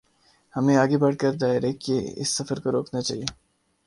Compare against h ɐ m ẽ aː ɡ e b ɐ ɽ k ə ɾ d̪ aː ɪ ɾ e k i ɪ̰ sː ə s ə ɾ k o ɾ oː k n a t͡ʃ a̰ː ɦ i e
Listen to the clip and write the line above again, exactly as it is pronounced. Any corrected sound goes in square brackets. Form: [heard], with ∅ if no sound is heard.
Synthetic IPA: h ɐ m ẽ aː ɡ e b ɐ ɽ k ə ɾ d̪ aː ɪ ɾ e k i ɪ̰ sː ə [f] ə ɾ k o ɾ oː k n a t͡ʃ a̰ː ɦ i e